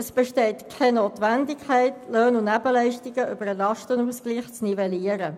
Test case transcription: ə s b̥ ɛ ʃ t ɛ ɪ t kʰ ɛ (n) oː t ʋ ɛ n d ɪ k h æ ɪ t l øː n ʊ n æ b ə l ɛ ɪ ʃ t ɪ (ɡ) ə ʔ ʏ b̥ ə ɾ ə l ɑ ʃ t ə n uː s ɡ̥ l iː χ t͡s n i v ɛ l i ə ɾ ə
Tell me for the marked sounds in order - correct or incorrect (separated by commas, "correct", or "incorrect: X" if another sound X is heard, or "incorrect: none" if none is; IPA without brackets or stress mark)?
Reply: correct, correct